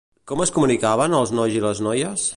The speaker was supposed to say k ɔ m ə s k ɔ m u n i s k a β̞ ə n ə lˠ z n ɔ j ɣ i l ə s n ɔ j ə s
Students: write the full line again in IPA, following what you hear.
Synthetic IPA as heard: k ɔ m ə s k u m u n i k a β̞ ə n ə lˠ z n ɔ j z i l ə z n ɔ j ə s